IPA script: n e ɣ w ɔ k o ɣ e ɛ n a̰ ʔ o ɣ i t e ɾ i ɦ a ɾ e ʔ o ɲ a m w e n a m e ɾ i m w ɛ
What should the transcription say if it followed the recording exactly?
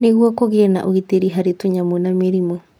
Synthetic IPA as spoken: n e ɣ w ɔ k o ɣ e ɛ n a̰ ʔ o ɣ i t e ɾ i ɦ a ɾ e t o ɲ a m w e n a m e ɾ i m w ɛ